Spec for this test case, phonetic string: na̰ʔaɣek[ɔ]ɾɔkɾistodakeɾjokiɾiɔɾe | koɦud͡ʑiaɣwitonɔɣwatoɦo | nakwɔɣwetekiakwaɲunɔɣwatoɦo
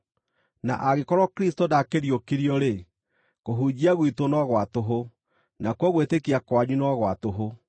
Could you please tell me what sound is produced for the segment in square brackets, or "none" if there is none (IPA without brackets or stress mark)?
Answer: ɔ